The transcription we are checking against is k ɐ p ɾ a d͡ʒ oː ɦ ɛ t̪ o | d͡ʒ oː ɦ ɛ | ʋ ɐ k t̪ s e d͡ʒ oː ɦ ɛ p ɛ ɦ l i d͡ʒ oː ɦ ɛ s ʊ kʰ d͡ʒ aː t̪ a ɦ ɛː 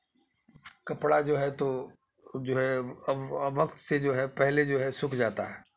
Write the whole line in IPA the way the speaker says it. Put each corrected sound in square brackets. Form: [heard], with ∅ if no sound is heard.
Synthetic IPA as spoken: k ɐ p [ɽ] a d͡ʒ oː ɦ ɛ t̪ o | d͡ʒ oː ɦ ɛ | ʋ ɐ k t̪ s e d͡ʒ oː ɦ ɛ p ɛ ɦ l [e] d͡ʒ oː ɦ ɛ s ʊ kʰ d͡ʒ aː t̪ a ɦ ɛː

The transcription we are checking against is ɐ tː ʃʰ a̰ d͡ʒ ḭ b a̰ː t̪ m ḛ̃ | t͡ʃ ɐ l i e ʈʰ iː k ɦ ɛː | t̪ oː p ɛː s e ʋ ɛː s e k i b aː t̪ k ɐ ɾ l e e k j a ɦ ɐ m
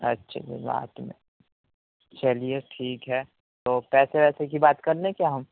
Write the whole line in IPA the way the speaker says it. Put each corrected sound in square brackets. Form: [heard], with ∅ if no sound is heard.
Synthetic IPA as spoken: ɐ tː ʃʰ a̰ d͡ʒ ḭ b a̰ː t̪ m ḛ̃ | t͡ʃ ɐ l i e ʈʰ iː k ɦ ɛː | t̪ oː p ɛː s e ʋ ɛː s e k i b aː t̪ k ɐ ɾ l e e k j a ɦ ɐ m

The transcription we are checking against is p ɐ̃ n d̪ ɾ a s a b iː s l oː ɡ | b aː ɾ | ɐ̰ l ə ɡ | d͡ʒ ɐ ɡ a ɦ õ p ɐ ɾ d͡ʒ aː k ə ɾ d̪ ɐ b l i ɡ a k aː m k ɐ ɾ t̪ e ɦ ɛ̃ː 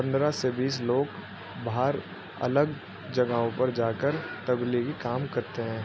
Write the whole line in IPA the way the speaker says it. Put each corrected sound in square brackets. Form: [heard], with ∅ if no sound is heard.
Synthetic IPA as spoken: p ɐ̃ n d̪ ɾ a s [e] b iː s l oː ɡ | b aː ɾ | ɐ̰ l ə ɡ | d͡ʒ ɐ ɡ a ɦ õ p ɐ ɾ d͡ʒ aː k ə ɾ [t̪] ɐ b l i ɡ [i] k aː m k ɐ ɾ t̪ e ɦ ɛ̃ː

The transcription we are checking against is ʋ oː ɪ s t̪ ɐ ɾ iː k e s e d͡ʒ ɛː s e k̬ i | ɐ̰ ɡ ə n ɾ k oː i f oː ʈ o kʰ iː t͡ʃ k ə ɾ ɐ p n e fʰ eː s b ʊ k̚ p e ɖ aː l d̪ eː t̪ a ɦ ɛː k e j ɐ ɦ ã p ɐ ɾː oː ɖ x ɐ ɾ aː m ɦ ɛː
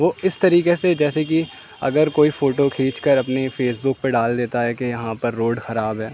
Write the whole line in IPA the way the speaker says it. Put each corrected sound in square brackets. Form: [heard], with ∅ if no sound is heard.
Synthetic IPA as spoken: ʋ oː ɪ s t̪ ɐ ɾ iː k e s e d͡ʒ ɛː s e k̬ i | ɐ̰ ɡ ə [∅] ɾ k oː i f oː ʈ o kʰ iː t͡ʃ k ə ɾ ɐ p n e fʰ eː s b ʊ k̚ p e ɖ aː l d̪ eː t̪ a ɦ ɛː k e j ɐ ɦ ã p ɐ ɾː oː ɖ x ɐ ɾ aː [b] ɦ ɛː

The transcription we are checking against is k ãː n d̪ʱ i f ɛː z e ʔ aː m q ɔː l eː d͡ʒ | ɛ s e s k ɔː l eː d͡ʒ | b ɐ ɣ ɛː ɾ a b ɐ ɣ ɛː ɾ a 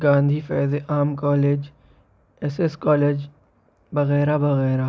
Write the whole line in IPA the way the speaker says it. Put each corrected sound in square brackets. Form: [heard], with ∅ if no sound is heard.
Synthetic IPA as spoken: [ɡ] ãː n d̪ʱ i f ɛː z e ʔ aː m [k] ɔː l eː d͡ʒ | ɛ s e s k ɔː l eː d͡ʒ | b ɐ ɣ ɛː ɾ a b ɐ ɣ ɛː ɾ a

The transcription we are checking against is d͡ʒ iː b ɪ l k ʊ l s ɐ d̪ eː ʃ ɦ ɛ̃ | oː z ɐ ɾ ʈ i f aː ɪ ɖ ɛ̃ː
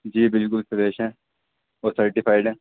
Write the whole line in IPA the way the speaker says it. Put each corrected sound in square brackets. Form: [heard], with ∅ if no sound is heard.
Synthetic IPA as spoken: d͡ʒ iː b ɪ l k ʊ l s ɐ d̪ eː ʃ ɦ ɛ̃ | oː [s] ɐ ɾ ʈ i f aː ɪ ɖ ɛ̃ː

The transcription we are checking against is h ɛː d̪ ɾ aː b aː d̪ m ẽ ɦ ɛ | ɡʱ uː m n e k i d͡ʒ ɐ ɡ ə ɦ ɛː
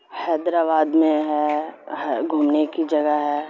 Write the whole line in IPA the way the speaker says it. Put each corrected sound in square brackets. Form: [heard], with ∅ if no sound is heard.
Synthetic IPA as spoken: h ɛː d̪ ɾ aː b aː d̪ m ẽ ɦ ɛ | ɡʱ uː m n e k i d͡ʒ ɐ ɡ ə ɦ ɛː

